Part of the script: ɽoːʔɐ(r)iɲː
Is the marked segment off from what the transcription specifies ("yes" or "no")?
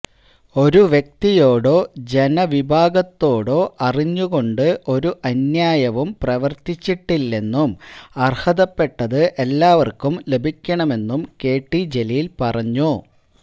no